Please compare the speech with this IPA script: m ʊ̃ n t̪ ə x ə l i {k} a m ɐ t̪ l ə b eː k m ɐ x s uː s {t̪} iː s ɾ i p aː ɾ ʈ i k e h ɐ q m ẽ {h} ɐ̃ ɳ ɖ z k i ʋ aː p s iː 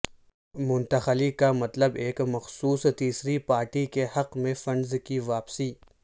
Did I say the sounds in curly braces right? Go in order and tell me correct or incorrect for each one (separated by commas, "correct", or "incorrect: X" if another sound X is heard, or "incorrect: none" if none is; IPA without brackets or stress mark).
correct, correct, incorrect: f